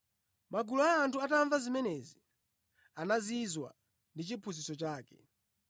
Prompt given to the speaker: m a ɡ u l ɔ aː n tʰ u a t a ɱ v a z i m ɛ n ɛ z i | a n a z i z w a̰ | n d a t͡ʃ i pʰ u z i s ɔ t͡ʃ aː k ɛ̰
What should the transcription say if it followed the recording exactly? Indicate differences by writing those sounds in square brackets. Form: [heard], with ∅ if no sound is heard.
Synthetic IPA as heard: m a ɡ u l ɔ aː n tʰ u a t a ɱ v a z i m ɛ n ɛ z i | a n a z i z w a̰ | n d [i] t͡ʃ i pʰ u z i s ɔ t͡ʃ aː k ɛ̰